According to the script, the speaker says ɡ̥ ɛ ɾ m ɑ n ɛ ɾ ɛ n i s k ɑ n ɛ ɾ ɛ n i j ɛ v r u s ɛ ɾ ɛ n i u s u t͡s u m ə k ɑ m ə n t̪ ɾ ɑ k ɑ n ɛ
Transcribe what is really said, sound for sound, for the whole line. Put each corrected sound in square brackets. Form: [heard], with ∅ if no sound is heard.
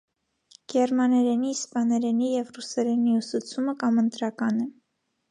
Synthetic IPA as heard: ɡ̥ ɛ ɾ m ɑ n ɛ ɾ ɛ n i s [p] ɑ n ɛ ɾ ɛ n i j ɛ v r u s ɛ ɾ ɛ n i u s u [t͡sʰ] u m ə k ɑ m ə n t̪ ɾ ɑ k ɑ n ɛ